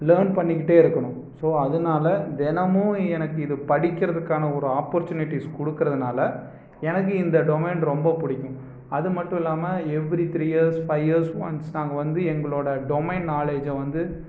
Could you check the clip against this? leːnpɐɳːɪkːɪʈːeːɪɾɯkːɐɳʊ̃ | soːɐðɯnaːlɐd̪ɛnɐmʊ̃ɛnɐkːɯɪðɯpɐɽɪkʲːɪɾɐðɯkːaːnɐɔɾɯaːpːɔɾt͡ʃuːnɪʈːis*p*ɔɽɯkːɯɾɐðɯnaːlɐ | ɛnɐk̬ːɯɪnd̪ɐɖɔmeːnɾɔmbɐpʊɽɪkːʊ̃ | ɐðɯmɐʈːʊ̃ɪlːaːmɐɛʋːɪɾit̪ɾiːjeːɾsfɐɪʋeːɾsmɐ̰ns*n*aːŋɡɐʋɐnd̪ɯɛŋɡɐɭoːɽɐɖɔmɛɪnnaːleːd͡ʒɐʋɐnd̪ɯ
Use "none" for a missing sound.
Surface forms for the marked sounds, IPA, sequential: k, n

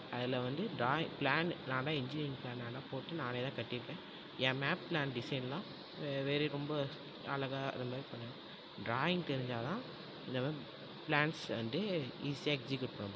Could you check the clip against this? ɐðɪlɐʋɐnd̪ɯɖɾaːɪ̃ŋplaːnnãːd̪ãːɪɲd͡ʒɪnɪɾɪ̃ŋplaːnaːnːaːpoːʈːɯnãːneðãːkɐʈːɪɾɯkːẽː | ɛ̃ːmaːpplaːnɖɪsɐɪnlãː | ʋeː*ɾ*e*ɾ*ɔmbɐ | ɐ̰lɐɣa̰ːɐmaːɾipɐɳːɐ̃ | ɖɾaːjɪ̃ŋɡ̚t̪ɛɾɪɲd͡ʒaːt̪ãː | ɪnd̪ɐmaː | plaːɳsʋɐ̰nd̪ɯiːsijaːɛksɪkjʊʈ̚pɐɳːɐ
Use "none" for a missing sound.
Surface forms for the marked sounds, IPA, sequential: ɾ, ɾ

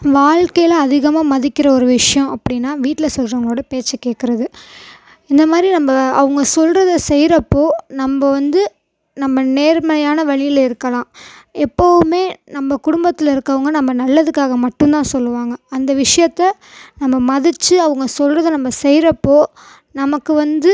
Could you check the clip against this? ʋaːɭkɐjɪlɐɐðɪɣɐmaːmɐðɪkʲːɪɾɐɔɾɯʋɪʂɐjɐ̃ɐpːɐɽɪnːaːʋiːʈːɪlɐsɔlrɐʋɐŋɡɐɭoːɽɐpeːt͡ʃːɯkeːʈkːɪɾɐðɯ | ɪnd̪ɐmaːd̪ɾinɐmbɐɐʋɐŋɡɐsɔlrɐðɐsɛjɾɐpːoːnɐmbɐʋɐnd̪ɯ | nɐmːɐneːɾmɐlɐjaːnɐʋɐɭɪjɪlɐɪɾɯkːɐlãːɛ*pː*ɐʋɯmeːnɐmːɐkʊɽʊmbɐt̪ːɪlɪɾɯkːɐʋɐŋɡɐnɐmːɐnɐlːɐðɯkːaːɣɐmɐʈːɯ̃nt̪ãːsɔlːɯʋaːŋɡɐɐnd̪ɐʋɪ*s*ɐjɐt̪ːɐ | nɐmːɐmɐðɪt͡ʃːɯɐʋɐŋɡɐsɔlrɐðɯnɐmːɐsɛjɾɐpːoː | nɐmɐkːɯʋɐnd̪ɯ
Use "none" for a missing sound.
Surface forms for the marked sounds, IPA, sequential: pː, ʂ

